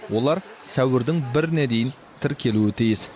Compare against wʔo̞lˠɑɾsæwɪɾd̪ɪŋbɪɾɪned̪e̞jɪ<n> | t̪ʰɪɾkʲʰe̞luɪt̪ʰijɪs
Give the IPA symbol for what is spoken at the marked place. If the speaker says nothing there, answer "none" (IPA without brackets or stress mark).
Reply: n